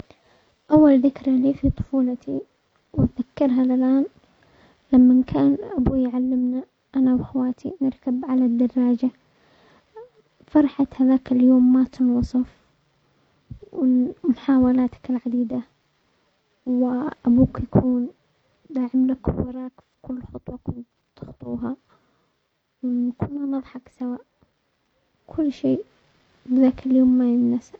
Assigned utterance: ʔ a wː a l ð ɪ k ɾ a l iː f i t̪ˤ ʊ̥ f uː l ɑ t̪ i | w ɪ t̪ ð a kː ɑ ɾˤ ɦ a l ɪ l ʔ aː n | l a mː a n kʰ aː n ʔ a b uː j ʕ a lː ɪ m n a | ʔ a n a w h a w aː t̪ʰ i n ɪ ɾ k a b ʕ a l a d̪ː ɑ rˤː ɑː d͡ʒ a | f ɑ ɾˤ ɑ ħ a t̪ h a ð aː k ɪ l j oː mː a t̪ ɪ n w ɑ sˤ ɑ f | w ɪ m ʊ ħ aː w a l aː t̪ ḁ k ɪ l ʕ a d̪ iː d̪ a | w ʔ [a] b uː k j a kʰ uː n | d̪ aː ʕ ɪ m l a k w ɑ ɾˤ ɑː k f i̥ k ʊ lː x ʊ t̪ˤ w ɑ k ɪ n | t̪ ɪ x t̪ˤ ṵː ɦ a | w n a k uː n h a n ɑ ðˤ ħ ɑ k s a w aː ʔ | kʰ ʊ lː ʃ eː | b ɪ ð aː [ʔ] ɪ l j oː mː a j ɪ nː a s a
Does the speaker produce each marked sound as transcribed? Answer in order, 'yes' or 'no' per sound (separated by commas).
yes, no